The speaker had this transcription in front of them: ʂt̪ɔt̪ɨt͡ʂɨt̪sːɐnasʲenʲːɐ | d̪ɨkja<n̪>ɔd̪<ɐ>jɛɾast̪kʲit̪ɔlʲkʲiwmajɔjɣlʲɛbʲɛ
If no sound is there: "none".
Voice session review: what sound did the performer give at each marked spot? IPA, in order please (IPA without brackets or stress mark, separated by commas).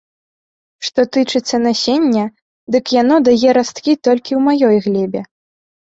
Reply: n̪, a